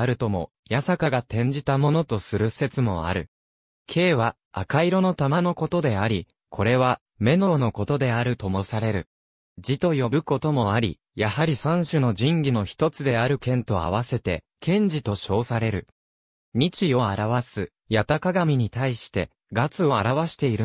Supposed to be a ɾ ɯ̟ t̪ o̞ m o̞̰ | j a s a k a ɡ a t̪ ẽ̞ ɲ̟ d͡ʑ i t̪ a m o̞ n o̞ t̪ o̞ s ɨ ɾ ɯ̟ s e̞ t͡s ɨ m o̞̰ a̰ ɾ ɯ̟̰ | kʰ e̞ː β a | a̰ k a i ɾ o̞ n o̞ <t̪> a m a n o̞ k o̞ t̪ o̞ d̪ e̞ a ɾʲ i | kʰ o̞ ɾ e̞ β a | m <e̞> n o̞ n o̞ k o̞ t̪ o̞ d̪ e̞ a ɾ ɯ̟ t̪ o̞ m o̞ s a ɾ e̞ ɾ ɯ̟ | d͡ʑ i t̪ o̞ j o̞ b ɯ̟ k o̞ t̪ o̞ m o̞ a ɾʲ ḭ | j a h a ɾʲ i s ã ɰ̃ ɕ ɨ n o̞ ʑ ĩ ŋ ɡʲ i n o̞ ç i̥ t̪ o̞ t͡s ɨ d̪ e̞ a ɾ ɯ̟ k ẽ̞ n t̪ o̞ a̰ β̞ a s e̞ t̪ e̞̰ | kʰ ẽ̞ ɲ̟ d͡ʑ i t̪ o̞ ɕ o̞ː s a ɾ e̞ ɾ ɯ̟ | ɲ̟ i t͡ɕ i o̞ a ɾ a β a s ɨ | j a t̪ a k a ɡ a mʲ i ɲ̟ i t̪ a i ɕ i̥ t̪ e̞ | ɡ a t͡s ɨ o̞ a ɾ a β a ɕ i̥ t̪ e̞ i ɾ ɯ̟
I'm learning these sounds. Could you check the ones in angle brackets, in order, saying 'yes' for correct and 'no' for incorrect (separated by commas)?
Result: yes, yes